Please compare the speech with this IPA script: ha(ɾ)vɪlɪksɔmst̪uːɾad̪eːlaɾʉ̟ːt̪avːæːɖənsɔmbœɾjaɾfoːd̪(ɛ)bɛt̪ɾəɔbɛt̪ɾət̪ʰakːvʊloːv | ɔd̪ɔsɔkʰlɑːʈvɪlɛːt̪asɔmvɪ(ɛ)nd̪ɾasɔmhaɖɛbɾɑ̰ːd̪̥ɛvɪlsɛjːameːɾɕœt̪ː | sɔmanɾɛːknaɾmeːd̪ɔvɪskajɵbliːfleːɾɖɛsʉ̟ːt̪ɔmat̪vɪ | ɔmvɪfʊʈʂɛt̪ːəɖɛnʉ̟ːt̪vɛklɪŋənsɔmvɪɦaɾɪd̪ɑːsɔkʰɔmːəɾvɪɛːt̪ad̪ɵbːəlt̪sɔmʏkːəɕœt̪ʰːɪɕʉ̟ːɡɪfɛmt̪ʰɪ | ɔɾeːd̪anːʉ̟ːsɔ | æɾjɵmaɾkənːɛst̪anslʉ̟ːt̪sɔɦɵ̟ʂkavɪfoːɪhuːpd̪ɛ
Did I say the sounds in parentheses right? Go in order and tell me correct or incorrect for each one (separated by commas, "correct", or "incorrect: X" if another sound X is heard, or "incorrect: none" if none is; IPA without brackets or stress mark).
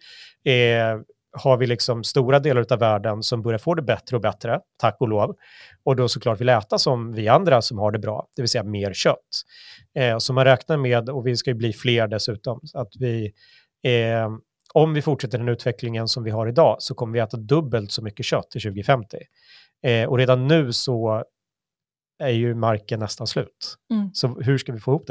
correct, correct, incorrect: a